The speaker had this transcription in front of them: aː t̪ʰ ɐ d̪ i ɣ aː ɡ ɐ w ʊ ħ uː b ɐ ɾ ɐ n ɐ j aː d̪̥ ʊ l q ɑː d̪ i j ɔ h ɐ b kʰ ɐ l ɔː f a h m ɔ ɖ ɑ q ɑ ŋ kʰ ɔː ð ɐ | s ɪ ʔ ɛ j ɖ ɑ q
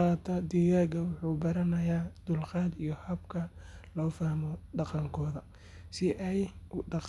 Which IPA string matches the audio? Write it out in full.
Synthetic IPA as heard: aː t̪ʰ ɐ d̪ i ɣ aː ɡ ɐ w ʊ ħ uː b ɐ ɾ ɐ n ɐ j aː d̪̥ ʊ l q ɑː d̪ i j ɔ h ɐ b kʰ ɐ l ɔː f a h m ɔ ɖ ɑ q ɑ ŋ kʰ ɔː ð ɐ | s ɪ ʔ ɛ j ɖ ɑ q

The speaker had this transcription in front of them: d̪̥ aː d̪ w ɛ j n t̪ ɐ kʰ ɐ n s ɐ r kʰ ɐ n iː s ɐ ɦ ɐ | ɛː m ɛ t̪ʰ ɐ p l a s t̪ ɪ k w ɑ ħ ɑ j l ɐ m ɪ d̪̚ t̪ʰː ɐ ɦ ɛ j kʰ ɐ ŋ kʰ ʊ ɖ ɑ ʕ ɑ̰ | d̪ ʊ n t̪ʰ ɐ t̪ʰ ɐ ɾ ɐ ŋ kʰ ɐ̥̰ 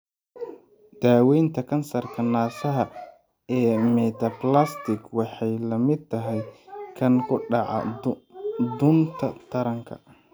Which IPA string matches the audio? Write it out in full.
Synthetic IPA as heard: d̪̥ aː w ɛ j n t̪ʰ ɐ kʰ ɐ n s ɐ r kʰ ɐ n aː s ɐ ɦ ɐ | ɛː m ɛ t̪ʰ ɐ p l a s t̪ ɪ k w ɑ ħ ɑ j l ɐ m ɪ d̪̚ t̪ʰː ɐ ɦ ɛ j kʰ ɐ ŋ kʰ ʊ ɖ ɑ ʕ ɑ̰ | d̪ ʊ n t̪ʰ ɐ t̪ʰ ɐ ɾ ɐ ŋ kʰ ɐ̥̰

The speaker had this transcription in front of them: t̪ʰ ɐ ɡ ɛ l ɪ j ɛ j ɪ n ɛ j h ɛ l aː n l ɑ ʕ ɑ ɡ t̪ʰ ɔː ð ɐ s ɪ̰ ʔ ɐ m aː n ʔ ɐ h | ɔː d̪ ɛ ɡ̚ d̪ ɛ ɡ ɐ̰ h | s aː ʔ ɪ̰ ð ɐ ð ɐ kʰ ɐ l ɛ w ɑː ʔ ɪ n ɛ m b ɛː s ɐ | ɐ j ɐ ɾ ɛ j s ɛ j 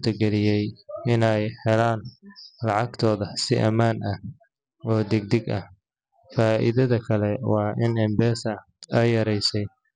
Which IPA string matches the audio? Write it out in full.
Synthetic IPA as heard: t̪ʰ ɐ ɡ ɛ l ɪ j ɛ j ɪ n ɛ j h ɛ l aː n l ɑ ʕ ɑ ɡ t̪ʰ ɔː ð ɐ s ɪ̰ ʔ ɐ m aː n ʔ ɐ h | ɔː d̪ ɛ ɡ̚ d̪ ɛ ɡ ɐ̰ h | f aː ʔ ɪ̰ ð ɐ ð ɐ kʰ ɐ l ɛ w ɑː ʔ ɪ n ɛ m b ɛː s ɐ | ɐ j ɐ ɾ ɛ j s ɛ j

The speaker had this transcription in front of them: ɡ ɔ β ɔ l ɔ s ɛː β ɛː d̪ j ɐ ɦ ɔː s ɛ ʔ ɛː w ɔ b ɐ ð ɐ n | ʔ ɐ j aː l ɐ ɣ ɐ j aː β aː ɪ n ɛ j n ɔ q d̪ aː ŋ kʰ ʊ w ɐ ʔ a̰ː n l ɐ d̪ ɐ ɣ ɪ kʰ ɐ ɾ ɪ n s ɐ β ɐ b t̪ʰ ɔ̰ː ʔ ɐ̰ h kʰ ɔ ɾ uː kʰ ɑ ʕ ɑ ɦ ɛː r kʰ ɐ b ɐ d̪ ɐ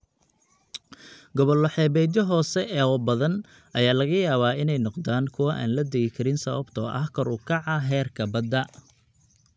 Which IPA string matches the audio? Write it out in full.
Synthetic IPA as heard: ɡ ɔ β ɔ l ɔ ħ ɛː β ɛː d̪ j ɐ ɦ ɔː s ɛ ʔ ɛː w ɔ b ɐ ð ɐ n | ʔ ɐ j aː l ɐ ɣ ɐ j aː β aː ɪ n ɛ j n ɔ q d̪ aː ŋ kʰ ʊ w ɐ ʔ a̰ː n l ɐ d̪ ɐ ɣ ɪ kʰ ɐ ɾ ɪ n s ɐ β ɐ b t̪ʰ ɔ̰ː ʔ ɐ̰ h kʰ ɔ ɾ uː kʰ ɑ ʕ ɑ ɦ ɛː r kʰ ɐ b ɐ d̪ ɐ

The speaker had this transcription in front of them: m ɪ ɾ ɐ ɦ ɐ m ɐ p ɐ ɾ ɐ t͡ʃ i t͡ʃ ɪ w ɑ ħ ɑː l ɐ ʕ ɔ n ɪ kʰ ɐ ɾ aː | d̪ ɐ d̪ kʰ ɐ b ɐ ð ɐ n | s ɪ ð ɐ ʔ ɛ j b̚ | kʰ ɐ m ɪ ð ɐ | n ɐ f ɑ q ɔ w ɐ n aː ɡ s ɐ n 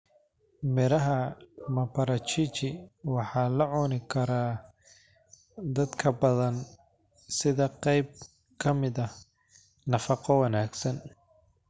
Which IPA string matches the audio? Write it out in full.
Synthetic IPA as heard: m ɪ ɾ ɐ ɦ ɐ m ɐ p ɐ ɾ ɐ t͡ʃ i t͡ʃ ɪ w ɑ ħ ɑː l ɐ ʕ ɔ n ɪ kʰ ɐ ɾ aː | d̪ ɐ d̪ kʰ ɐ b ɐ ð ɐ n | s ɪ ð ɐ q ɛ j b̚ | kʰ ɐ m ɪ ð ɐ | n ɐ f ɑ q ɔ w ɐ n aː ɡ s ɐ n

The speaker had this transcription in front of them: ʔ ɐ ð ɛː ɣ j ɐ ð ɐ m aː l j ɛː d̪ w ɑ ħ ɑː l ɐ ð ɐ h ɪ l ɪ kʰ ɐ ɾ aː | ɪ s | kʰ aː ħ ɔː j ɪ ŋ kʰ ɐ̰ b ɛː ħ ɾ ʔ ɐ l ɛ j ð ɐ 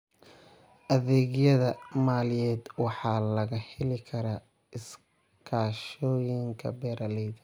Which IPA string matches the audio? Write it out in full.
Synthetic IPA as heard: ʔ ɐ ð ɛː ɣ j ɐ ð ɐ m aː l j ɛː d̪ w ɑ ħ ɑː l ɐ ɣ ɐ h ɪ l ɪ kʰ ɐ ɾ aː | ɪ s | kʰ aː ʃ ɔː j ɪ ŋ kʰ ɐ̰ b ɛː ɾ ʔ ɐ l ɛ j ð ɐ

